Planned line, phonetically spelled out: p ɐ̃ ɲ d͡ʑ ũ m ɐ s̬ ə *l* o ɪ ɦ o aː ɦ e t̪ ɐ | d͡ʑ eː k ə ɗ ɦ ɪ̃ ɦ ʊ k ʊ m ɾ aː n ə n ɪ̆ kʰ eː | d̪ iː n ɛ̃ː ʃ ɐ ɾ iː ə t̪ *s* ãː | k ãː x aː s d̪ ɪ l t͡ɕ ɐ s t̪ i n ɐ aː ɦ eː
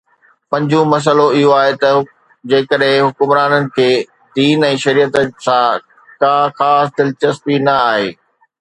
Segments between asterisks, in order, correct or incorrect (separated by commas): correct, correct